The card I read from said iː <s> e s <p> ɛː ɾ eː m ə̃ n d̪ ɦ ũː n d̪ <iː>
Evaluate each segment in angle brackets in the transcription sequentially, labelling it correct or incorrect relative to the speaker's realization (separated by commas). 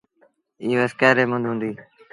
incorrect, incorrect, correct